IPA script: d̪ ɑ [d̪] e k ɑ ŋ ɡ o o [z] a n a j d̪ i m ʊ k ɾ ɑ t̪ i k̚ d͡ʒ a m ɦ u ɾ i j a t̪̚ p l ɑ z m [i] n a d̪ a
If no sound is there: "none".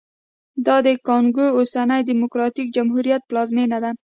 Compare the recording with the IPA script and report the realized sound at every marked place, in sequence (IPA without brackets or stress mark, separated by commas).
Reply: d̪, s, e